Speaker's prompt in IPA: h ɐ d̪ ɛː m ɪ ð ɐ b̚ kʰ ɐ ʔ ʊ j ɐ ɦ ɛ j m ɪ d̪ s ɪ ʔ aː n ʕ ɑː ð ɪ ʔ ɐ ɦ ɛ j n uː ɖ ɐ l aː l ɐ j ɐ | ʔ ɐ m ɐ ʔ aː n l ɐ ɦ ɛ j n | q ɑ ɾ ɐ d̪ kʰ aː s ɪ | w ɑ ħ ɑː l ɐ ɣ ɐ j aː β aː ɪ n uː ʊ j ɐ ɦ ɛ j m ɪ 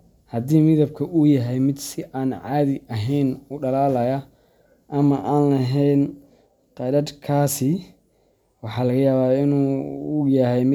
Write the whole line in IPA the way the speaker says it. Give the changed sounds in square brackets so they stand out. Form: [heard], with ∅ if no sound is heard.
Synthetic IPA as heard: h ɐ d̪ [iː] m ɪ ð ɐ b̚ kʰ ɐ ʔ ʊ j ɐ ɦ ɛ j m ɪ d̪ s ɪ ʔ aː n ʕ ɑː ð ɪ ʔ ɐ ɦ ɛ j n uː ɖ ɐ l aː l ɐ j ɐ | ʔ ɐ m ɐ ʔ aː n l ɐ ɦ ɛ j n | q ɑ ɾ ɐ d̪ kʰ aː s ɪ | w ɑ ħ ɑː l ɐ ɣ ɐ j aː β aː ɪ n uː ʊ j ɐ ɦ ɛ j m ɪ